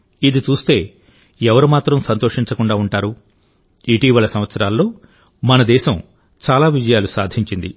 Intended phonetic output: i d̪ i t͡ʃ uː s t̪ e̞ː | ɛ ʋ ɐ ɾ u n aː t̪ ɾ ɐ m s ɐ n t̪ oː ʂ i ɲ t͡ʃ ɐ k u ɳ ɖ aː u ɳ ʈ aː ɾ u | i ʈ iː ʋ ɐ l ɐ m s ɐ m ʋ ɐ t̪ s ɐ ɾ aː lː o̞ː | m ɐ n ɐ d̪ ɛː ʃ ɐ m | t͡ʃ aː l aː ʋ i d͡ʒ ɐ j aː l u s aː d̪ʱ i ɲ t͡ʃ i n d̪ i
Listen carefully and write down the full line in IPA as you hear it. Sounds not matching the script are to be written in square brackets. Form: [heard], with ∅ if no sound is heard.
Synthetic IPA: i d̪ i t͡ʃ uː s t̪ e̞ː | ɛ ʋ ɐ ɾ u [m] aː t̪ ɾ ɐ m s ɐ n t̪ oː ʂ i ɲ t͡ʃ ɐ k u ɳ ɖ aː u ɳ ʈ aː ɾ u | i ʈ iː ʋ ɐ l ɐ [∅] s ɐ m ʋ ɐ t̪ s ɐ ɾ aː lː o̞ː | m ɐ n ɐ d̪ ɛː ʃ ɐ m | t͡ʃ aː l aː ʋ i d͡ʒ ɐ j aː l u s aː d̪ʱ i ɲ t͡ʃ i n d̪ i